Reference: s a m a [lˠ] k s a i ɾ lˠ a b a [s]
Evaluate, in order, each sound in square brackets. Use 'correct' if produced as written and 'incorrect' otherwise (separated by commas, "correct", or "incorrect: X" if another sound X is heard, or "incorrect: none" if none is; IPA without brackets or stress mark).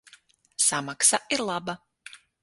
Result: incorrect: none, incorrect: none